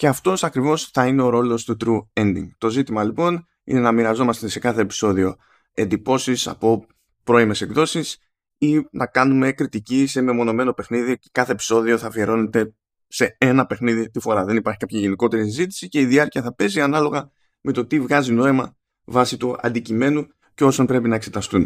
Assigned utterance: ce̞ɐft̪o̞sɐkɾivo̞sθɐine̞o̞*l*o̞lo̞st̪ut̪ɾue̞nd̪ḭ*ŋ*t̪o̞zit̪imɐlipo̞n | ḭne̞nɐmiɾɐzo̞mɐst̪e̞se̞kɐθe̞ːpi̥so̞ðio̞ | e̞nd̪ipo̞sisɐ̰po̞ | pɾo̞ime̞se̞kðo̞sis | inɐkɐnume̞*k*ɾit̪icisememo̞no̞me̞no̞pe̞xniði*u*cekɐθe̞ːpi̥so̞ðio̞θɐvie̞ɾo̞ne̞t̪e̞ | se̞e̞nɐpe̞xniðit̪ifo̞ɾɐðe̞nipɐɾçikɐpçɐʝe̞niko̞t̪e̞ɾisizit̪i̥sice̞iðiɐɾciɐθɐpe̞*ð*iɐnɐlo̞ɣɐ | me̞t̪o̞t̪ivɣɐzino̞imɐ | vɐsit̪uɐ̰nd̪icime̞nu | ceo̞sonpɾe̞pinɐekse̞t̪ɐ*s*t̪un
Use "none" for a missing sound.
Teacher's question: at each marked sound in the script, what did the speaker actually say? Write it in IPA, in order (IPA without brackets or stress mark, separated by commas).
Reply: ɾ, ŋ, k, o, z, s